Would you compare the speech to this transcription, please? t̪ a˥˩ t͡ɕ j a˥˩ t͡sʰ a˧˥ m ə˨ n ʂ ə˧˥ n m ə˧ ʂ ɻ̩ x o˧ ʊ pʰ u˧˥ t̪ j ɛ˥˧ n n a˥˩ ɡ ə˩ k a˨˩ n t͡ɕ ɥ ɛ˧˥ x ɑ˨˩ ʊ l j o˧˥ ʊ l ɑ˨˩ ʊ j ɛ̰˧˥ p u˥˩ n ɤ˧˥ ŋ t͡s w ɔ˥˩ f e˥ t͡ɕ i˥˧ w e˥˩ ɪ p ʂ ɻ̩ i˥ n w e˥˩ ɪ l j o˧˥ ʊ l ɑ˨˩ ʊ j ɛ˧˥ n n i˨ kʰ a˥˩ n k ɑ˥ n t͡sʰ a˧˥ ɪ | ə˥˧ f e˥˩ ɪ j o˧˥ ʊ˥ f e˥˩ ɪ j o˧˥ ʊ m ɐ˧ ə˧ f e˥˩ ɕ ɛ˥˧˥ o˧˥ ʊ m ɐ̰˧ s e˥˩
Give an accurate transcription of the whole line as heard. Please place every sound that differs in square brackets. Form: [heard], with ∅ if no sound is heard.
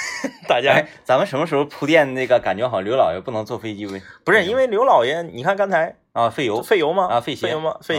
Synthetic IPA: t̪ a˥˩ t͡ɕ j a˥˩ [t͡s] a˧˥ m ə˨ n ʂ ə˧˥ n m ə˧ ʂ ɻ̩ x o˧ ʊ pʰ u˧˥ t̪ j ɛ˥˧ n n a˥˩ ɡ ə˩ k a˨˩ n t͡ɕ ɥ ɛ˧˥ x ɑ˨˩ ʊ l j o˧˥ ʊ l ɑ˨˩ ʊ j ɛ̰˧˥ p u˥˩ n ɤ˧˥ ŋ t͡s w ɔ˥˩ f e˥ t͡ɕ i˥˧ w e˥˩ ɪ p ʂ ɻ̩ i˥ n w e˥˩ ɪ l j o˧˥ ʊ l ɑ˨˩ ʊ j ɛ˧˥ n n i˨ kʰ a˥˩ n k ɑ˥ n t͡sʰ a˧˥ ɪ | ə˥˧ f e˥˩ ɪ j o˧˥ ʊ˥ f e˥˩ ɪ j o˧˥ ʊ m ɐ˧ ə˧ f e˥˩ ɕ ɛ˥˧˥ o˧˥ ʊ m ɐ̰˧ [f] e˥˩